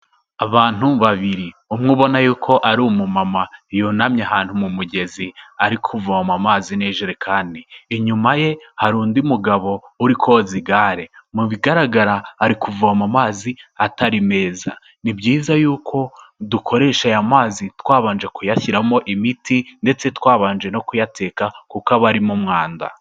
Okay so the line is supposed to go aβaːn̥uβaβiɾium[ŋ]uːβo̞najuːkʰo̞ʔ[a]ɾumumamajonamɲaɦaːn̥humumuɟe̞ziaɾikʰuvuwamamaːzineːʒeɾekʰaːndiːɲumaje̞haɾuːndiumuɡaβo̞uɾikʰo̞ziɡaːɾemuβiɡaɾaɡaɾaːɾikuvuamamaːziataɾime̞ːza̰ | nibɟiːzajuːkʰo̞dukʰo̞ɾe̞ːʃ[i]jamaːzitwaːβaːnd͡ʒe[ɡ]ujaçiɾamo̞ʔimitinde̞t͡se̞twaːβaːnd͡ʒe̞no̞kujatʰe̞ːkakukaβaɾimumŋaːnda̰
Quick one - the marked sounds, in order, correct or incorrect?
correct, correct, incorrect: a, incorrect: k

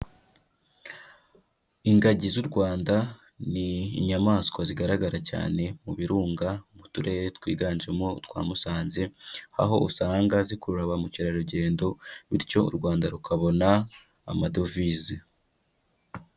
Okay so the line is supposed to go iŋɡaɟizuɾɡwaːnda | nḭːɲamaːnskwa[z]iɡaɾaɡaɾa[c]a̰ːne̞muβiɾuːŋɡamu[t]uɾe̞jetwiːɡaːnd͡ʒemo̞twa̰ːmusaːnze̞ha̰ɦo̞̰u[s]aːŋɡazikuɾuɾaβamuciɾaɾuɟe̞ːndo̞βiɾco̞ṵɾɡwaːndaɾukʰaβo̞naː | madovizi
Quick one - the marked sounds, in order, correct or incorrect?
correct, correct, correct, correct

